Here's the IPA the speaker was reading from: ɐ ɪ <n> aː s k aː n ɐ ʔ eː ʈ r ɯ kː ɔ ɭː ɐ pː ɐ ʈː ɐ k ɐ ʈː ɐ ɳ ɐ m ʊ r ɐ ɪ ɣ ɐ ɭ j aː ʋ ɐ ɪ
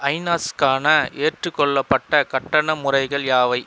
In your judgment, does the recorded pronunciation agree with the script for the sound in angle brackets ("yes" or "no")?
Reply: yes